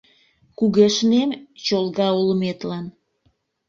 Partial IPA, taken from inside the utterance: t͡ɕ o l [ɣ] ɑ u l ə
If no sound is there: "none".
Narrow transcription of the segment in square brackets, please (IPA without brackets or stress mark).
ɣ